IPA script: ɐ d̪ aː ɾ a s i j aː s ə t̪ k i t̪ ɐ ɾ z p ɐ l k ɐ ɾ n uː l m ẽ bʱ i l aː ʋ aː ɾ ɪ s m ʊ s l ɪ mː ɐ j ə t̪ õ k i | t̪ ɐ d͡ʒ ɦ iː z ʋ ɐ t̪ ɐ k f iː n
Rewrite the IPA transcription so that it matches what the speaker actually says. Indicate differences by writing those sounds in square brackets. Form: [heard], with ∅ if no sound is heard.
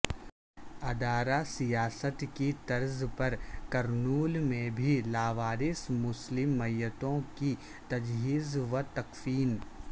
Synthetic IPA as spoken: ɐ d̪ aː ɾ a s i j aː s ə t̪ k i t̪ ɐ ɾ z p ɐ [ɾ] k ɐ ɾ n uː l m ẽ bʱ i l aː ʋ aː ɾ ɪ s m ʊ s l ɪ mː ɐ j ə t̪ õ k i | t̪ ɐ d͡ʒ ɦ iː z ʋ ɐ t̪ ɐ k f iː n